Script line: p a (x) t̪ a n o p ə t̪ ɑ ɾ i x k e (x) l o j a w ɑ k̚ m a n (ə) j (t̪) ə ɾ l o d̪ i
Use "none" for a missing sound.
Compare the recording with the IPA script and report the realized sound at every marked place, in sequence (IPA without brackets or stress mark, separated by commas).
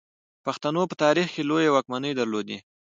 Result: x, none, ə, d̪